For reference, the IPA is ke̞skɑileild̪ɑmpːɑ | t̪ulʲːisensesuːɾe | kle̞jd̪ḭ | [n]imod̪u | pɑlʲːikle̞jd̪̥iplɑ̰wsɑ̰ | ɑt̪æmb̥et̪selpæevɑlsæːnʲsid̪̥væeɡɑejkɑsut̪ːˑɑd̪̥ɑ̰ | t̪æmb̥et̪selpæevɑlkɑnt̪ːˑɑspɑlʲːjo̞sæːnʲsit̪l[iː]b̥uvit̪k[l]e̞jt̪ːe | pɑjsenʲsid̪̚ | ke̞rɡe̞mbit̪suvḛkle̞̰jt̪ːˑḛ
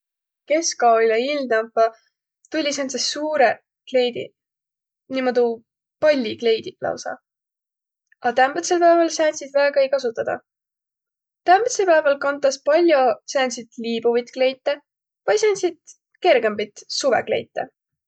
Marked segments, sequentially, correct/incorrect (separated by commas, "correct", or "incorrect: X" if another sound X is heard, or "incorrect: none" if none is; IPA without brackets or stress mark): correct, correct, correct